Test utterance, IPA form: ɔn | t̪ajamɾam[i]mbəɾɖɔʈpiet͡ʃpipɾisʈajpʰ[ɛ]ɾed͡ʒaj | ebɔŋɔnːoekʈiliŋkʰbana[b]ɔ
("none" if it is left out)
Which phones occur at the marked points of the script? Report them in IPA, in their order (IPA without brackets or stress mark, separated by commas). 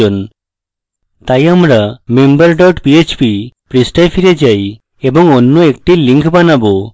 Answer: e, i, b